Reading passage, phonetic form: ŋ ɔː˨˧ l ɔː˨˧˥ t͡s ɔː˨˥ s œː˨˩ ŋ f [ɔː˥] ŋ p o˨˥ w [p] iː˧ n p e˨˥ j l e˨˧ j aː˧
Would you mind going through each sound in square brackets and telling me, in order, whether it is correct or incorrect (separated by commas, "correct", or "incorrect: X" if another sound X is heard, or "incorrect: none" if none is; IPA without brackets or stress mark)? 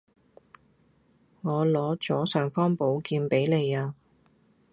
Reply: correct, incorrect: k